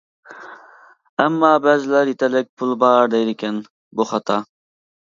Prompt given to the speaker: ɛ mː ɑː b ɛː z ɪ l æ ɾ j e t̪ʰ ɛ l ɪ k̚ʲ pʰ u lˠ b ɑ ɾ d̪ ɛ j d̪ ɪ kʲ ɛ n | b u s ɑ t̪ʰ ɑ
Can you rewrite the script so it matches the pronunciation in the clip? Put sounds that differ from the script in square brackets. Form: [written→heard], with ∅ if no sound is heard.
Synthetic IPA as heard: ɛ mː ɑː b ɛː z ɪ l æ ɾ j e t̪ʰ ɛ l ɪ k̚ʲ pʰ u lˠ b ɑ ɾ d̪ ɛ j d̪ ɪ kʲ ɛ n | b u [s→χ] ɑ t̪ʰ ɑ